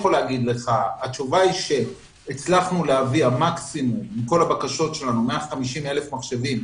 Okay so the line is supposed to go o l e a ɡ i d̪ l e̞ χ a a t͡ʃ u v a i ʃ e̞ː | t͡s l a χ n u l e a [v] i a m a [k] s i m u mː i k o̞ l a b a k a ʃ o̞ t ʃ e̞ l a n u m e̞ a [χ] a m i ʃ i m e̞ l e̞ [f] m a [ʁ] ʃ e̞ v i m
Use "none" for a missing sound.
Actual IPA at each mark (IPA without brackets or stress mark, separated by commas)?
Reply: v, k, χ, f, χ